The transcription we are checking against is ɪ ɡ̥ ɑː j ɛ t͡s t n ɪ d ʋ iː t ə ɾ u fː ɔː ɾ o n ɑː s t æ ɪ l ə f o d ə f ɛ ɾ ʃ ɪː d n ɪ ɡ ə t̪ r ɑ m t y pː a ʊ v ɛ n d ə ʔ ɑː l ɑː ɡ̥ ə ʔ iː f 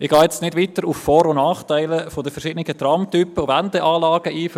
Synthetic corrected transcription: ɪ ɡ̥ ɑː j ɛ t͡s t n ɪ d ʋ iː t ə ɾ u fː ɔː ɾ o n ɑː χ t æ ɪ l ə f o d ə f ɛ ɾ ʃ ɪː d n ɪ ɡ ə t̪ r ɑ m t y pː ə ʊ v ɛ n d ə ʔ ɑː l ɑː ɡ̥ ə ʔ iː f

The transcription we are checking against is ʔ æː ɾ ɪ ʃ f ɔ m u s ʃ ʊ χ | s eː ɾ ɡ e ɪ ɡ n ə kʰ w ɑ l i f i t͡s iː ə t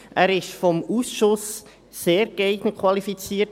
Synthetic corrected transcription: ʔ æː ɾ ɪ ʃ f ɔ m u s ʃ ʊ s | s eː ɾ ɡ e ɪ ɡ n ə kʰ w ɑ l i f i t͡s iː ə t

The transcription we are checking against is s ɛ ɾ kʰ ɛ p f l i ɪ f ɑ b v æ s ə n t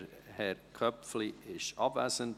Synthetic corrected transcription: h ɛ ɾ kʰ œ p f l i ɪ ʃ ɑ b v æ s ə n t

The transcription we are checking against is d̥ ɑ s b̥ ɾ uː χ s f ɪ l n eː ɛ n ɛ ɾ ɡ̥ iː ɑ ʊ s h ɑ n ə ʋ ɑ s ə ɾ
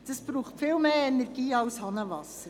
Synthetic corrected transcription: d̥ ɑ s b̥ ɾ uː χ t f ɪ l m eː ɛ n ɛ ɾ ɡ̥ iː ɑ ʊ s h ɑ n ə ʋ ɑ s ə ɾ

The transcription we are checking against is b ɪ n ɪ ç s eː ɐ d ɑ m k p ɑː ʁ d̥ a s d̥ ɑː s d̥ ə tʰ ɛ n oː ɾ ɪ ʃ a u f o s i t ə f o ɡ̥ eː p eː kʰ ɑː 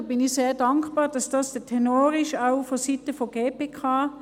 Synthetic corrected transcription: b ɪ n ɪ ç s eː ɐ d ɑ ŋ k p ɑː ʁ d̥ ɑ s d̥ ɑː s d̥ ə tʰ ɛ n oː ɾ ɪ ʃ a ʊ f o s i t ə f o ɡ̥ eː p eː kʰ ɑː

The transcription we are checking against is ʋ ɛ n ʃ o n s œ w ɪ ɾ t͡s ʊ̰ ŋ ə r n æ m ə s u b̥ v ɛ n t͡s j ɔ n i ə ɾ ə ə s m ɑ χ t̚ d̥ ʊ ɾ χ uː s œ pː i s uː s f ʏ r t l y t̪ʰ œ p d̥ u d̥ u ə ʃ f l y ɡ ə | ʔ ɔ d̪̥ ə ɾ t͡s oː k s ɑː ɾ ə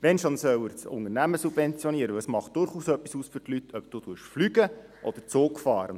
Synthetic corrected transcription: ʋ ɛ n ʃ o n s œ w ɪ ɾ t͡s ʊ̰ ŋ ə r n æ m ə s u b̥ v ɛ n t͡s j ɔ n i ə ɾ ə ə s m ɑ χ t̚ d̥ ʊ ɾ χ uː s œ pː i s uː s f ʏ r t l y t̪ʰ œ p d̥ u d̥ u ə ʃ f l y ɡ ə | ʔ ɔ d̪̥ ə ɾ t͡s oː k f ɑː ɾ ə

